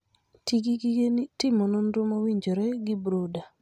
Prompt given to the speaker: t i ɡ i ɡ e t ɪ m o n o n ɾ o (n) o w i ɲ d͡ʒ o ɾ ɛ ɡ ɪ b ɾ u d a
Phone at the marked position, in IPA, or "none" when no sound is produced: m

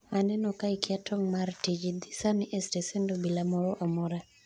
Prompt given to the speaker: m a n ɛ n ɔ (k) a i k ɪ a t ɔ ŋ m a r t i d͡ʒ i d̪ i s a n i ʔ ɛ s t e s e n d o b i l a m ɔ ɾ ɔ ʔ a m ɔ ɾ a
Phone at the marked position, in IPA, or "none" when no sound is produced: k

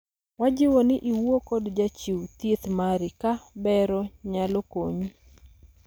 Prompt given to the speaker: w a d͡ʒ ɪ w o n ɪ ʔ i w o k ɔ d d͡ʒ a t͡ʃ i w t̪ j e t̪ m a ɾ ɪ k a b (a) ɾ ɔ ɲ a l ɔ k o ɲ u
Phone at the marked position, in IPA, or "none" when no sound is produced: ɛ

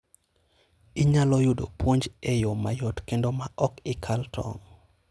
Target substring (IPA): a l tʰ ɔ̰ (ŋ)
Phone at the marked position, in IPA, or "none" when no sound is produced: ŋ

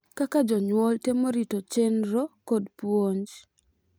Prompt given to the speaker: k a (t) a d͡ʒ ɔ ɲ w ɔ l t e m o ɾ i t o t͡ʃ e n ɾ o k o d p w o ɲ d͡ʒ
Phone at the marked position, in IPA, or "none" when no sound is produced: k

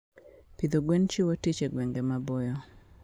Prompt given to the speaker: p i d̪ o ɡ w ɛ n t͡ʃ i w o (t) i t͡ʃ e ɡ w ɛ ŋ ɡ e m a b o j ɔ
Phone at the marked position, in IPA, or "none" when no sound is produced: t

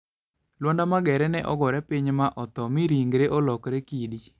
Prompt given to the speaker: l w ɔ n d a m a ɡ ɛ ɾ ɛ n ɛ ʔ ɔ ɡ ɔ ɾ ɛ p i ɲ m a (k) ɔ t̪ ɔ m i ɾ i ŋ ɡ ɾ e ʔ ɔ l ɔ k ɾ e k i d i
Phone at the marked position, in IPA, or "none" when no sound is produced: ʔ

